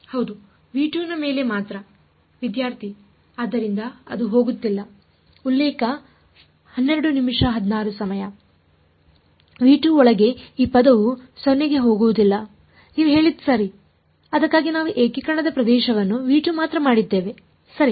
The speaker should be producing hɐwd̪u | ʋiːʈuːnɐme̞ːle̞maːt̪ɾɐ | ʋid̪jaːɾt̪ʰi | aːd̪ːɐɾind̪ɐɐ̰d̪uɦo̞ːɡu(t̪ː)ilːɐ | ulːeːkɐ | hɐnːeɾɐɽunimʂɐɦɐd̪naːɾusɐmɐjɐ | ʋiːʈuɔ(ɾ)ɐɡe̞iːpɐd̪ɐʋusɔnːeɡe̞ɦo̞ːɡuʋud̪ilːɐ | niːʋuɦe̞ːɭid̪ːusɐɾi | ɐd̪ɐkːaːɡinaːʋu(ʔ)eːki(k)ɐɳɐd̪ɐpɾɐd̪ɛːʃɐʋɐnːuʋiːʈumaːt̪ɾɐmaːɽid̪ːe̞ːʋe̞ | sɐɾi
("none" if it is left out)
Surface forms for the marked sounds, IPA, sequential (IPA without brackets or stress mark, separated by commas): t̪ː, ɭ, ʔ, k